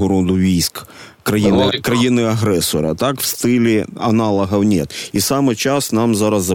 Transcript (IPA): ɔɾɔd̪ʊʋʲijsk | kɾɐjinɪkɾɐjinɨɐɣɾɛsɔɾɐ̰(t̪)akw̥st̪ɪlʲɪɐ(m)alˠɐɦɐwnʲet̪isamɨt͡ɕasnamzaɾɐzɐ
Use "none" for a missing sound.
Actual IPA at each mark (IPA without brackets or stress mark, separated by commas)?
t̪, n